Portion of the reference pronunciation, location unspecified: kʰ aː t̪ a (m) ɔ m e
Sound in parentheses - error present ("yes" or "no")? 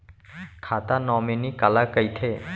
yes